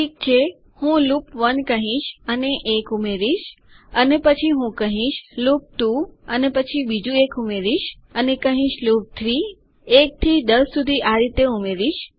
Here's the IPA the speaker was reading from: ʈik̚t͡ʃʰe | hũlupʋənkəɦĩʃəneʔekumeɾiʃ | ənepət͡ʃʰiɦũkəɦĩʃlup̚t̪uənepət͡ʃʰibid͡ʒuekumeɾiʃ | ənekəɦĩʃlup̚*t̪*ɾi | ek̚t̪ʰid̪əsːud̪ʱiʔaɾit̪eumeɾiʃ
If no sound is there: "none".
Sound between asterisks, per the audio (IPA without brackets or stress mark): t̪ʰ